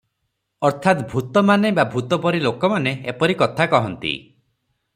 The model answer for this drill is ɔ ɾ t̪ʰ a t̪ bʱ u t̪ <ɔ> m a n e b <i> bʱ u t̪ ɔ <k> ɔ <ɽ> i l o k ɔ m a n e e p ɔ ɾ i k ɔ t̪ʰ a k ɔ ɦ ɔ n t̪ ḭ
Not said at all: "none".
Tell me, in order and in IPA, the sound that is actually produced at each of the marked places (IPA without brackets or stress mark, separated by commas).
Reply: ɔ, a, p, ɾ